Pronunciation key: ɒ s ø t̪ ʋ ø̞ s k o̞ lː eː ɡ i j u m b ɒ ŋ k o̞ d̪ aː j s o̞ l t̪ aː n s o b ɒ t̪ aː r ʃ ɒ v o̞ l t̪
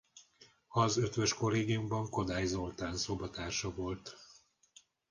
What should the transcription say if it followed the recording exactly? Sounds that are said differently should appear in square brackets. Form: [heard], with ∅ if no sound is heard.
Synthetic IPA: ɒ [z] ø t̪ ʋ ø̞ [ʃ] k o̞ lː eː ɡ i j u m b ɒ ŋ k o̞ d̪ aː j [z] o̞ l t̪ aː n s o b ɒ t̪ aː r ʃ ɒ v o̞ l t̪